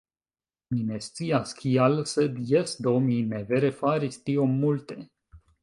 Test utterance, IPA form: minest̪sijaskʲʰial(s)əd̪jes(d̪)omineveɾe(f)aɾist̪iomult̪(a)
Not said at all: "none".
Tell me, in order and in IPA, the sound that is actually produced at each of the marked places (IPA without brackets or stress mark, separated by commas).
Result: s, d̪, f, e